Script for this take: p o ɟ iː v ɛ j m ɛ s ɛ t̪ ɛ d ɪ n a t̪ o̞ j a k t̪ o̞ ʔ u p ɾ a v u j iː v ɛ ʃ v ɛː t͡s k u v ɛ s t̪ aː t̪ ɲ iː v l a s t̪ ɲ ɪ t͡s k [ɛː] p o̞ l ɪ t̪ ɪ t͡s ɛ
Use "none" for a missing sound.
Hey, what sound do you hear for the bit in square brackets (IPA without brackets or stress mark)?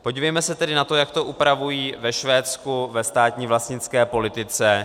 ɛː